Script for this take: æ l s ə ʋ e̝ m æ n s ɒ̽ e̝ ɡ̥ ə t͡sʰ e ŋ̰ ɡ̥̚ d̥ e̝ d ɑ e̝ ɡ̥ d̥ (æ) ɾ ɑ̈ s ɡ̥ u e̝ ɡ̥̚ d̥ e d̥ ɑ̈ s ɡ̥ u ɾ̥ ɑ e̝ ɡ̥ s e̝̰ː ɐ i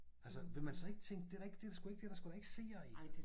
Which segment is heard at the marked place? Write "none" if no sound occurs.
e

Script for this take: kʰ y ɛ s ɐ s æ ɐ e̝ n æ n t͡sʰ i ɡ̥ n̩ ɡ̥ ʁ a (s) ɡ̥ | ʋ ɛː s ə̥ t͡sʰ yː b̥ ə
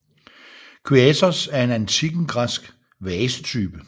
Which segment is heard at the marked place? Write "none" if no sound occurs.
s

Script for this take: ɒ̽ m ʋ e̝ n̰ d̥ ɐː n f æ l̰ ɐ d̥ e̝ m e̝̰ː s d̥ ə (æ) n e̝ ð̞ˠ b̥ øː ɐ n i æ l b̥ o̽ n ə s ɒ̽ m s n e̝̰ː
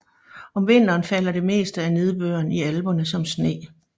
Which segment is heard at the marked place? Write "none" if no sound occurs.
æ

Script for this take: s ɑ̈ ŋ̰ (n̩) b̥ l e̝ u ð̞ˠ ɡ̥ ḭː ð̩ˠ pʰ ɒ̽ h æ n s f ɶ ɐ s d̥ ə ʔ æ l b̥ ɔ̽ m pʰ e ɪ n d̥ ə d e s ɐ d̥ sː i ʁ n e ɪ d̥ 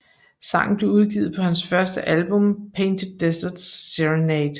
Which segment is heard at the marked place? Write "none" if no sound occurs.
n̩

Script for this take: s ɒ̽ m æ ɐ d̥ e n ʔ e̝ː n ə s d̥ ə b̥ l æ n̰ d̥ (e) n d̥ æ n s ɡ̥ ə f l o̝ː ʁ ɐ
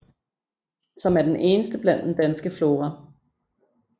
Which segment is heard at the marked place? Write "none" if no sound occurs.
e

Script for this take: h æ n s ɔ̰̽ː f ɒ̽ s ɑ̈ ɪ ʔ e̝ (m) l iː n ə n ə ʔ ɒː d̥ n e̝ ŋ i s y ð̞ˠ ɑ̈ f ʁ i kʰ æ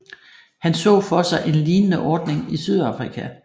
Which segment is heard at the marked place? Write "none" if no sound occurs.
n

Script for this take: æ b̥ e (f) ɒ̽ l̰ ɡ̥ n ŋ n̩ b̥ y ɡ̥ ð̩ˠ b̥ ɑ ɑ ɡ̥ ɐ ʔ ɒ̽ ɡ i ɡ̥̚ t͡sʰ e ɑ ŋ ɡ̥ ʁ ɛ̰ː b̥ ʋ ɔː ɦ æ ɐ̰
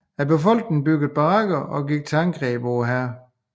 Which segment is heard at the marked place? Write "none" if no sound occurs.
f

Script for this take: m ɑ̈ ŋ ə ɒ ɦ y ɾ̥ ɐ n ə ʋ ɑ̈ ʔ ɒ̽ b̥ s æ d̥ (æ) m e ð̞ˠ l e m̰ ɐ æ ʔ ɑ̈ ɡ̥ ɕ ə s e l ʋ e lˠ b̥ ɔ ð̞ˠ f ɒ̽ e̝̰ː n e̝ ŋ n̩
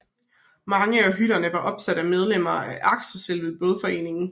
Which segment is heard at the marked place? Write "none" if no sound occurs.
æ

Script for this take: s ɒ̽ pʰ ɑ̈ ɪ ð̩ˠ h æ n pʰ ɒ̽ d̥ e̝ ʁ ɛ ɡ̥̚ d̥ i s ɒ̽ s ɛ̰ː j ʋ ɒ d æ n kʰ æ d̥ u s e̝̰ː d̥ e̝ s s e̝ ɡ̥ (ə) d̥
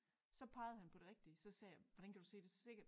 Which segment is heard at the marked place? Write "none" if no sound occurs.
ɐ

